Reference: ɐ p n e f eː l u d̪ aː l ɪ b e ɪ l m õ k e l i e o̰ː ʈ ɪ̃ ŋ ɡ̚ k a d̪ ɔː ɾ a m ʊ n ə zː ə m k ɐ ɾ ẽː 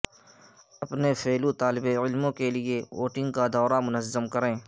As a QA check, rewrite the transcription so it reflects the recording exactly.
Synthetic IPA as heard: ɐ p n e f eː l u t̪ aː l ɪ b e ɪ l m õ k e l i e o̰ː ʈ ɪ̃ ŋ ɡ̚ k a d̪ ɔː ɾ a m ʊ n ə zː ə m k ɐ ɾ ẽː